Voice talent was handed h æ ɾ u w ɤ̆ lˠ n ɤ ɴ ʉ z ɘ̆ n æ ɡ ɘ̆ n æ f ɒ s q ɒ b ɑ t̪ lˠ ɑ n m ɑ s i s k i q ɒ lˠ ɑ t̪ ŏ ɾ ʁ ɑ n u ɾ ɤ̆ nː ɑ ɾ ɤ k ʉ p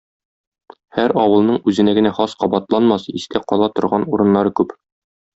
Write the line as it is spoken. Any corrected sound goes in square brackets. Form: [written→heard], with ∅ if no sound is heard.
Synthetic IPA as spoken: h æ ɾ [u→ɒ] w ɤ̆ lˠ n ɤ ɴ ʉ z ɘ̆ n æ ɡ ɘ̆ n æ [f→χ] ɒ s q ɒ b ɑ t̪ lˠ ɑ n m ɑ s i s k [i→æ] q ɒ lˠ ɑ t̪ ŏ ɾ ʁ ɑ n u ɾ ɤ̆ nː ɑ ɾ ɤ k ʉ p